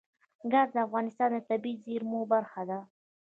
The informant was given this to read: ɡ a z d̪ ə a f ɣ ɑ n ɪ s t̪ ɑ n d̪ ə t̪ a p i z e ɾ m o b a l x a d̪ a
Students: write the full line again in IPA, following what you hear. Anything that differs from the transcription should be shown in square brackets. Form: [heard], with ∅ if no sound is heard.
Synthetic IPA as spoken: ɡ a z d̪ ə a f ɣ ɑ n ɪ s t̪ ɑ n d̪ ə t̪ a [b] i z e ɾ m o b a [ɾ] x a d̪ a